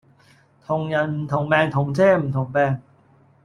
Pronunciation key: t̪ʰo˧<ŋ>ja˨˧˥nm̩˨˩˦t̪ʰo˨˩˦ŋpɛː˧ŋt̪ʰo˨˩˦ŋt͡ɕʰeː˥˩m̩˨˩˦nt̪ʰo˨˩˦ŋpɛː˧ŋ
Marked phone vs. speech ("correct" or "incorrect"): correct